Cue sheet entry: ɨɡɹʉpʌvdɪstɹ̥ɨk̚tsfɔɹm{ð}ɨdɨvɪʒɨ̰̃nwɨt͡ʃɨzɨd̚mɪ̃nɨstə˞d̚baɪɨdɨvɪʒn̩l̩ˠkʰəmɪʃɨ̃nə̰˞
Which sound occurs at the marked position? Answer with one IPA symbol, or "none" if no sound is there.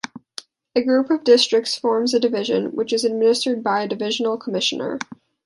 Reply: z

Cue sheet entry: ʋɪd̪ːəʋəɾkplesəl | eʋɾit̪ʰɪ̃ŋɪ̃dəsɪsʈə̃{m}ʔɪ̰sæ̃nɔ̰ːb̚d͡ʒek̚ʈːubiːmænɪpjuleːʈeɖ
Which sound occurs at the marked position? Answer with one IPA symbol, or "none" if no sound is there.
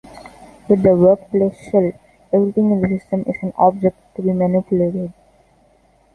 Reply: m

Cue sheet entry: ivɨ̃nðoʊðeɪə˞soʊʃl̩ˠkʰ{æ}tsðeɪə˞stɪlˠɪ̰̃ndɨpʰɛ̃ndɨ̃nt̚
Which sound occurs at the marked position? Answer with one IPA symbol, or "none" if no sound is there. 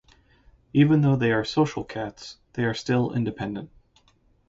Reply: æ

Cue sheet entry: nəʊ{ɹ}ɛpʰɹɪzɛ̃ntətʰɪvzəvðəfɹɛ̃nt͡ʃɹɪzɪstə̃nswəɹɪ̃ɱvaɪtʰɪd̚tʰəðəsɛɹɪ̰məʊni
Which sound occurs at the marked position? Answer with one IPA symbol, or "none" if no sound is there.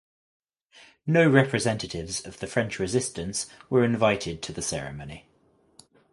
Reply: ɹ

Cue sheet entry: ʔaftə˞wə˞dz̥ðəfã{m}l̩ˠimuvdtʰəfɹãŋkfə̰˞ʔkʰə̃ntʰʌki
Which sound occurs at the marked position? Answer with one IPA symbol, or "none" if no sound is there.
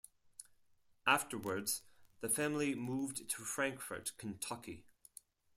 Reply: m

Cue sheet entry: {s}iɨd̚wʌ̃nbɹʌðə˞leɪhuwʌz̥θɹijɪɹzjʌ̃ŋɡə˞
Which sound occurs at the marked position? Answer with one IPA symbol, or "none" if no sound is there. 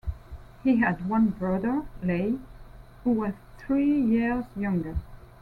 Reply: h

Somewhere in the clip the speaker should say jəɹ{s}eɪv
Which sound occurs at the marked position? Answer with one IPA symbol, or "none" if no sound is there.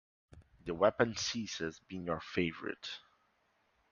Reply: f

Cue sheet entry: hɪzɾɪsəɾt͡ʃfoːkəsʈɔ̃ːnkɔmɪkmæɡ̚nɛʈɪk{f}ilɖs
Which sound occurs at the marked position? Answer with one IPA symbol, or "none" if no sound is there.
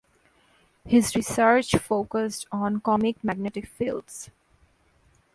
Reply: f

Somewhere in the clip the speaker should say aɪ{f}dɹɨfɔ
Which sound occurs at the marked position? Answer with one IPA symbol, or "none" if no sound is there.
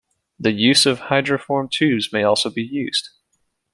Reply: none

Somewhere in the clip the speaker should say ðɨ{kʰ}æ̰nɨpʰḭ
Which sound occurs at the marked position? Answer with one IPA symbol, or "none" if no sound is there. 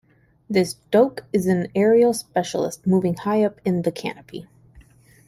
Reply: kʰ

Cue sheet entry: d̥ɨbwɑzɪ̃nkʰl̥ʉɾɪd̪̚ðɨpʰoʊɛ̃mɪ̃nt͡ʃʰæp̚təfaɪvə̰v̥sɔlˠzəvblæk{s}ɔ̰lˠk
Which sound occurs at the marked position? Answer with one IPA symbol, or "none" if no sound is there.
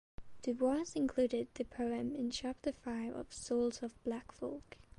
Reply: f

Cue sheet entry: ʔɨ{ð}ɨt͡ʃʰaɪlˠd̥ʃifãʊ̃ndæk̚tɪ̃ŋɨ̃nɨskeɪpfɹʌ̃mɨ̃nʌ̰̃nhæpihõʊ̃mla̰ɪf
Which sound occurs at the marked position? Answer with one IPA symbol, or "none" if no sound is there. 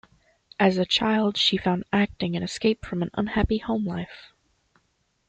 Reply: z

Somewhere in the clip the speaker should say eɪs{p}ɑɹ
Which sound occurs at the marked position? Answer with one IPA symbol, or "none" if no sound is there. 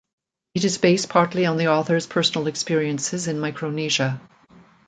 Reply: pʰ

